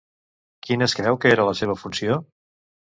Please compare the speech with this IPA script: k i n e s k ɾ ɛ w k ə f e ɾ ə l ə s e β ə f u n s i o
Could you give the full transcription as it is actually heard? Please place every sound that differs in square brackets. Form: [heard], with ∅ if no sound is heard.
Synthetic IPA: k i n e s k ɾ ɛ w k ə [∅] e ɾ ə l ə s e β ə f u n s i o